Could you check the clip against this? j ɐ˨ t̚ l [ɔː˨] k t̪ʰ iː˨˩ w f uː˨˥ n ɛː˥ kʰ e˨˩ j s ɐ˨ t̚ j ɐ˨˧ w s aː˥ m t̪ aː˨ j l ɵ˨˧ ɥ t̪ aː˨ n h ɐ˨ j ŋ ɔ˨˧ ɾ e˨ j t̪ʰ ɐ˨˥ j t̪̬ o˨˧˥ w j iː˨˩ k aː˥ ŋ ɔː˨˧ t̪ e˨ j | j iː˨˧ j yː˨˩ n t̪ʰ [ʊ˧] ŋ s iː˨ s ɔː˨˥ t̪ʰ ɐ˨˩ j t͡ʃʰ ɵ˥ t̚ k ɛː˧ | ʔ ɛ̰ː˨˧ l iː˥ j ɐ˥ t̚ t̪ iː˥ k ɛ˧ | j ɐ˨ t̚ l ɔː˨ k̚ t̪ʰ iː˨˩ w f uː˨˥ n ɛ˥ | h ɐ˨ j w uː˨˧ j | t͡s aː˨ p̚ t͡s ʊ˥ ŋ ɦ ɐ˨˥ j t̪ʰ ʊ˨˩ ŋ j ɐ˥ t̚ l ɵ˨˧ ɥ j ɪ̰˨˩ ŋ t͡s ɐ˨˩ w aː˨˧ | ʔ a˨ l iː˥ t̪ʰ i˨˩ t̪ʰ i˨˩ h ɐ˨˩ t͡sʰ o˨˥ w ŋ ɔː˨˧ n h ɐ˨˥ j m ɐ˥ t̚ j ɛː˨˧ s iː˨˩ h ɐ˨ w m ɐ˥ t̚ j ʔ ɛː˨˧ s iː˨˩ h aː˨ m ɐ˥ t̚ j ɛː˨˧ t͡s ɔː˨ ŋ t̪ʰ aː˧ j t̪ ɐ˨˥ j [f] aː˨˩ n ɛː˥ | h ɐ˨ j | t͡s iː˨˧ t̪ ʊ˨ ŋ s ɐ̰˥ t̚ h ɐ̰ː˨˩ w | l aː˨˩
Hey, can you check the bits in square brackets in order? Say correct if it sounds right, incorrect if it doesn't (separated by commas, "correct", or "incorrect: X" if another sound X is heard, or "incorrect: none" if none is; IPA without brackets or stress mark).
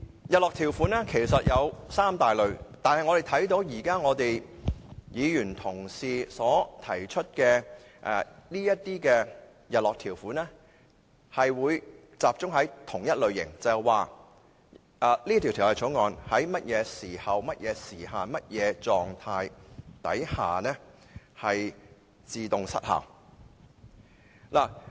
correct, incorrect: ʊ˨˩, incorrect: h